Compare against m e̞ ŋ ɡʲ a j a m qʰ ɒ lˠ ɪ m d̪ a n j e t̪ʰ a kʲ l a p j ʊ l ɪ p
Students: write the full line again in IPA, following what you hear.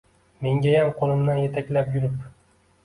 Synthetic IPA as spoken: m e̞ ŋ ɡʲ a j a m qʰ o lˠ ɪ m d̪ a n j e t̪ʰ a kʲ l a p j ʊ ɾ ɪ p